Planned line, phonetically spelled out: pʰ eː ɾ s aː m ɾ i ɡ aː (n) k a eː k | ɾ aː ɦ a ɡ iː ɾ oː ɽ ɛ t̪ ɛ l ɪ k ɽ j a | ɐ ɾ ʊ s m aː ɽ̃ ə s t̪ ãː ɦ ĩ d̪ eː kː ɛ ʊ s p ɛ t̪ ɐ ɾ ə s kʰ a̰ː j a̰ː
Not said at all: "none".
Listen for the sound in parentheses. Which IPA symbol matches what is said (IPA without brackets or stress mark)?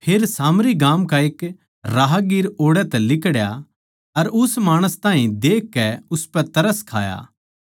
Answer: m